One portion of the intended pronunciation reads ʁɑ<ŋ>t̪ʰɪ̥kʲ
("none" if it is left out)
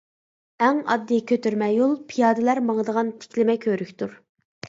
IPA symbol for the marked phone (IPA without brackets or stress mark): n